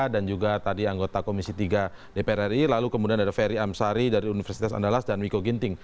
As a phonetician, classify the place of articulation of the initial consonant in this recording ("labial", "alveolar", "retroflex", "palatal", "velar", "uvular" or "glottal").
alveolar